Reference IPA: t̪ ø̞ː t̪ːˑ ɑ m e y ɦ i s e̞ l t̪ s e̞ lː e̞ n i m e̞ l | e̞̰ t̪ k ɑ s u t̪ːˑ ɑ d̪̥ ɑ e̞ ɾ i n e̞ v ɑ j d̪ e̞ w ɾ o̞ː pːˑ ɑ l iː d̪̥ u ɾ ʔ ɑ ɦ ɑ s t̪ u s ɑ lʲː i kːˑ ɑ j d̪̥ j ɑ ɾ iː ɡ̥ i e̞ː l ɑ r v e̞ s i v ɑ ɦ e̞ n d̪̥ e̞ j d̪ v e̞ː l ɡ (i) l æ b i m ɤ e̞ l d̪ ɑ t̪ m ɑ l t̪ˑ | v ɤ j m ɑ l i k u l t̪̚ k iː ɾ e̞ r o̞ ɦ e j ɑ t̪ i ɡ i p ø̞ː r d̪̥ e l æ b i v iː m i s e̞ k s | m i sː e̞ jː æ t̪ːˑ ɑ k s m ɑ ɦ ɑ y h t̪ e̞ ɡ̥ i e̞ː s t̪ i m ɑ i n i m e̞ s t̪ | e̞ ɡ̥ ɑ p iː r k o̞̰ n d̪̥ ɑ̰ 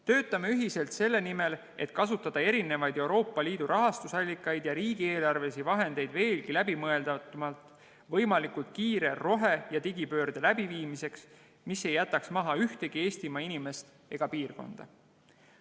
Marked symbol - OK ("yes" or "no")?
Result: yes